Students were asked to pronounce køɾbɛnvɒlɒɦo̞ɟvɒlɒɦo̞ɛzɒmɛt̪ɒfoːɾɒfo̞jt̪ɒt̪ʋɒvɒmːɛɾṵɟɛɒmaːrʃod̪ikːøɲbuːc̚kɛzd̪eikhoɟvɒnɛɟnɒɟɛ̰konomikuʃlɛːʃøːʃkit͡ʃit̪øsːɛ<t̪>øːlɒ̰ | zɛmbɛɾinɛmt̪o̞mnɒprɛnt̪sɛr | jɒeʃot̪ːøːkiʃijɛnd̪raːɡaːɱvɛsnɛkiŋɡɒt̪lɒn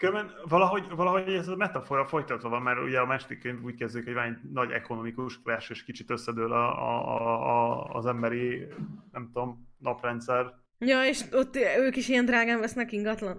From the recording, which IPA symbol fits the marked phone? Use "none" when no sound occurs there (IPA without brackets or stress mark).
d̪